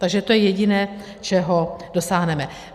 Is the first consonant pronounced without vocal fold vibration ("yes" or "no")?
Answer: yes